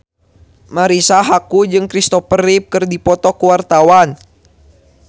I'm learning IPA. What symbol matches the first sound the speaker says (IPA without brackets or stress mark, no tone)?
m